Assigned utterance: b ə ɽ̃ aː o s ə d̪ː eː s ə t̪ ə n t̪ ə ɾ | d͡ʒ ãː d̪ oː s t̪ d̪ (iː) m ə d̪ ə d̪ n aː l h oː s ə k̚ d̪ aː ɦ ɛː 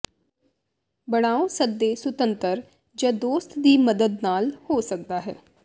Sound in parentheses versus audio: correct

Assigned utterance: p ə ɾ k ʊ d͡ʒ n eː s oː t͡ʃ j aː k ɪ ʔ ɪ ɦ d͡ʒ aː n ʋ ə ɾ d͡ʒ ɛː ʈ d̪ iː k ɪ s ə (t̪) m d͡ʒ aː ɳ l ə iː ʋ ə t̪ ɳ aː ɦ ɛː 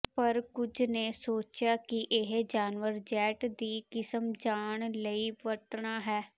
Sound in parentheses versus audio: incorrect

